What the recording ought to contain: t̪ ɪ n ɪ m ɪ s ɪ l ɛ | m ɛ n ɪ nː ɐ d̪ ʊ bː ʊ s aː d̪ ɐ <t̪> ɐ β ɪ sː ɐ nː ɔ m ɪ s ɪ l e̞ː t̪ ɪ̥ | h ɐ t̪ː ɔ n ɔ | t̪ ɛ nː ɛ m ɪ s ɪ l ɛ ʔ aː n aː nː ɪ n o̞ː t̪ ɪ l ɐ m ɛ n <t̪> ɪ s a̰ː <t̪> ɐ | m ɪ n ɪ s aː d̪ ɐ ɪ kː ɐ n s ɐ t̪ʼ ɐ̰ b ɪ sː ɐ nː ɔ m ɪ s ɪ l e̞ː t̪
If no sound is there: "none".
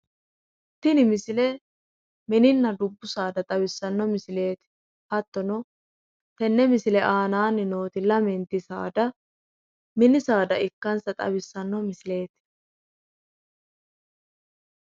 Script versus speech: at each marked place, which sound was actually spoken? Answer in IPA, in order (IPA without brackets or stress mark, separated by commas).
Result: t̪ʼ, t̪, d̪